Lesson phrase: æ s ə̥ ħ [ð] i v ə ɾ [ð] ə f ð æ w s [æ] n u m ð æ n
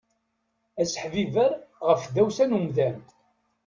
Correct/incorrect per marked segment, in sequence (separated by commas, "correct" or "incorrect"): incorrect, incorrect, correct